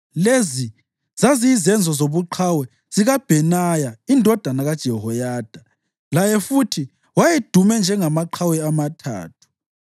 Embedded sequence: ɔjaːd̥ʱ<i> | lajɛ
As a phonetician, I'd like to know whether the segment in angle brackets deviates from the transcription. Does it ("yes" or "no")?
yes